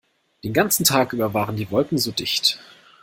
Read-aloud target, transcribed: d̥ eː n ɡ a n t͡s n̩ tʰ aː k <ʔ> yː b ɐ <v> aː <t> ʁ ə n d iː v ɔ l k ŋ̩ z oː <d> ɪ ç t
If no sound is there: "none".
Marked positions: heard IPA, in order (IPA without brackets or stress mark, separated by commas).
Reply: ʔ, v, none, d